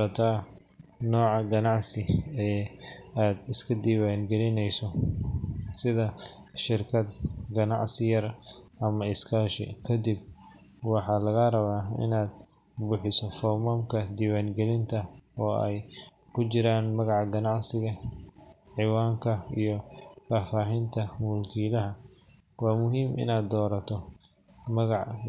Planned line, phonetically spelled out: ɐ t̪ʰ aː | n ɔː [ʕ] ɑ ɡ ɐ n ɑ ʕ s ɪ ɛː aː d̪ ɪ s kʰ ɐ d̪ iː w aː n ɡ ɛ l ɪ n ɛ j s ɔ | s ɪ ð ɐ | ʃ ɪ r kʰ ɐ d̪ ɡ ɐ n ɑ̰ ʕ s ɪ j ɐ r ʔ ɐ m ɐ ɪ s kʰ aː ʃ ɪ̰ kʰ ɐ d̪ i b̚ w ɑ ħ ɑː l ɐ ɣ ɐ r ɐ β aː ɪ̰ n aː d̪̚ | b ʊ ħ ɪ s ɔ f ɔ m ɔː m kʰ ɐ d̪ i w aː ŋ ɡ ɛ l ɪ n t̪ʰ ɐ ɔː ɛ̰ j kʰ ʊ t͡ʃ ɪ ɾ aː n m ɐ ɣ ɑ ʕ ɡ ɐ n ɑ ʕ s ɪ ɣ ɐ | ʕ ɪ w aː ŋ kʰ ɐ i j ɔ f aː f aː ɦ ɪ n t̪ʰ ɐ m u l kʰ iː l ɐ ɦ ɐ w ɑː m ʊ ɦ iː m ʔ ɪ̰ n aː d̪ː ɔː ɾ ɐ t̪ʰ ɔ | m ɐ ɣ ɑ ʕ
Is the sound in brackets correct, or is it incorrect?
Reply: correct